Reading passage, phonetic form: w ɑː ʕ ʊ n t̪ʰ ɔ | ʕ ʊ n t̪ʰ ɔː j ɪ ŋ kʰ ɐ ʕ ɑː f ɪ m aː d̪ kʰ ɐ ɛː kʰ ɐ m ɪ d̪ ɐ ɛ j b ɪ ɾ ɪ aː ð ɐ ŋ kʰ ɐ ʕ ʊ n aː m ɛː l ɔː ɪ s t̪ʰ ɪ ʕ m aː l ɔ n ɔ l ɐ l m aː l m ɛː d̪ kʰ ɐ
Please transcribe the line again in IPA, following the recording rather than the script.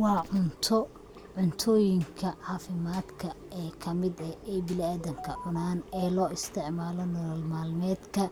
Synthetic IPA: w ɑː ʕ ʊ n t̪ʰ ɔ | ʕ ʊ n t̪ʰ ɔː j ɪ ŋ kʰ ɐ ʕ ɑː f ɪ m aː d̪ kʰ ɐ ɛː kʰ ɐ m ɪ d̪ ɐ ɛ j b ɪ l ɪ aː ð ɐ ŋ kʰ ɐ ʕ ʊ n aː n ɛː l ɔː ɪ s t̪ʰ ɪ ʕ m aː l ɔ n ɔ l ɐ l m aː l m ɛː d̪ kʰ ɐ

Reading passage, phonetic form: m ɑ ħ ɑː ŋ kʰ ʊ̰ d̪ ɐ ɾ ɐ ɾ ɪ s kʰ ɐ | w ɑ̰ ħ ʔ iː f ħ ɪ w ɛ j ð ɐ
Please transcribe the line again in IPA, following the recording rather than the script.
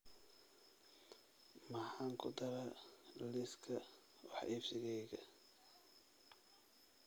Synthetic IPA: m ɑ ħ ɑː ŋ kʰ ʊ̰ d̪ ɐ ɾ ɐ l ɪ s kʰ ɐ | w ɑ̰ ħ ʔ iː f s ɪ ɣ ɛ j ɣ ɐ

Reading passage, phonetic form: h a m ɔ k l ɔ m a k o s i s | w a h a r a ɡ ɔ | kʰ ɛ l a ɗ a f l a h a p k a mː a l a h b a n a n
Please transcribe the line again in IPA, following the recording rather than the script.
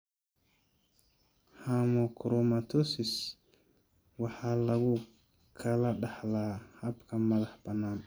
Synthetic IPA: h a m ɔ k ɾ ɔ m a t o s i s | w a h a l a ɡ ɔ | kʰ a l a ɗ a h l a h a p k a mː a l a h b a n a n

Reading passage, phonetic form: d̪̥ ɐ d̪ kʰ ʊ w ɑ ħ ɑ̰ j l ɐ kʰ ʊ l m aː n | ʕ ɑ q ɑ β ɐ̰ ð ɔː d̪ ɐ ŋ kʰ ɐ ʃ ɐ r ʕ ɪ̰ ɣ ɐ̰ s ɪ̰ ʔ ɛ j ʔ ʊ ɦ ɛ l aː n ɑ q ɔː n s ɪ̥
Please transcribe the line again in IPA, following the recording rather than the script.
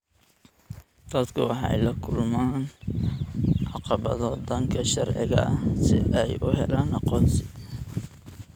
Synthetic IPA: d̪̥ ɐ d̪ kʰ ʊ w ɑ ħ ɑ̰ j l ɐ kʰ ʊ l m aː n | ʕ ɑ q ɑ β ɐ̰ ð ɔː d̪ ɐ ŋ kʰ ɐ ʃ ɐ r ʕ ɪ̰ ɣ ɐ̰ s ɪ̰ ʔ ɛ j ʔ ʊ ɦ ɛ l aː n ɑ q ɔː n s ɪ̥

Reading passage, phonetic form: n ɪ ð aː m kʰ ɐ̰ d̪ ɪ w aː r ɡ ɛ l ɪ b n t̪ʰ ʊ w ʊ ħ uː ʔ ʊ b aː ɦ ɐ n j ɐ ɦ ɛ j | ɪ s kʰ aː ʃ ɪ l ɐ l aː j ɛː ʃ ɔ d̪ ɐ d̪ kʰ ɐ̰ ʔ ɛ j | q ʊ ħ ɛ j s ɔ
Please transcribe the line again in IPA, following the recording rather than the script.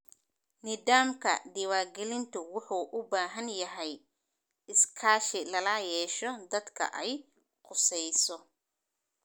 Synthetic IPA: n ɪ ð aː m kʰ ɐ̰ d̪ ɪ w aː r ɡ ɛ l ɪ n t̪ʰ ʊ w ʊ ħ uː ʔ ʊ b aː ɦ ɐ n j ɐ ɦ ɛ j | ɪ s kʰ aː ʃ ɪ l ɐ l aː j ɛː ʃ ɔ d̪ ɐ d̪ kʰ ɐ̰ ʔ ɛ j | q ʊ s ɛ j s ɔ

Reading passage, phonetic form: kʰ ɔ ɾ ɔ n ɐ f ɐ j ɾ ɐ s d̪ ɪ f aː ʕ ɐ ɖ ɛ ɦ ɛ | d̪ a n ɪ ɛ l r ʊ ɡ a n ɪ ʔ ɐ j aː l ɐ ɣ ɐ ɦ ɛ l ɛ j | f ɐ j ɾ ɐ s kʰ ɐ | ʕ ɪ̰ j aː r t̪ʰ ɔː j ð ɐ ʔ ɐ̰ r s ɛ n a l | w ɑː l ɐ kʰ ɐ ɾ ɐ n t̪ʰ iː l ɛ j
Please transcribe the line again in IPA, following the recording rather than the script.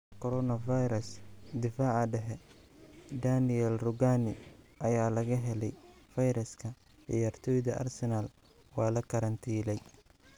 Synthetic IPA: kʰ ɔ ɾ ɔ n ɐ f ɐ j ɾ ɐ s d̪ ɪ f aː ʕ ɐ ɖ ɛ ɦ ɛ | d̪ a n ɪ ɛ l r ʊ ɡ a n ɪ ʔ ɐ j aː l ɐ ɣ ɐ ɦ ɛ l ɛ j | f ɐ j ɾ ɐ s kʰ ɐ | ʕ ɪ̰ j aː r t̪ʰ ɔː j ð ɐ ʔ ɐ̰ r s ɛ n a l | w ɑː l ɐ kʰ ɐ ɾ ɐ n t̪ʰ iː l ɛ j

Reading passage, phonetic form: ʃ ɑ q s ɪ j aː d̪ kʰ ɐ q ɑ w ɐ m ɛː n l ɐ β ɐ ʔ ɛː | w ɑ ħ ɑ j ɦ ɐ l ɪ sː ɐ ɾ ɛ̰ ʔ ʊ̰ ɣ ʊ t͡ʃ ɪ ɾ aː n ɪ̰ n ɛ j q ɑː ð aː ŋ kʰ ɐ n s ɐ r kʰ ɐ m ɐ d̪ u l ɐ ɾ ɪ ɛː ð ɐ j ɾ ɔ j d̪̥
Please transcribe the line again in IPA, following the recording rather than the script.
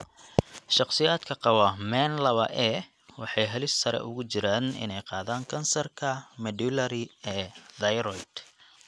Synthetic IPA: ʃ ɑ q s ɪ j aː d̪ kʰ ɐ q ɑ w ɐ m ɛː n l ɐ β ɐ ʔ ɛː | w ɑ ħ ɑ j ɦ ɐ l ɪ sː ɐ ɾ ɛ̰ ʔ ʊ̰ ɣ ʊ t͡ʃ ɪ ɾ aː n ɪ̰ n ɛ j q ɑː ð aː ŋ kʰ ɐ n s ɐ r kʰ ɐ m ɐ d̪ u l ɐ ɾ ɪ ɛː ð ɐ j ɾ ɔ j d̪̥

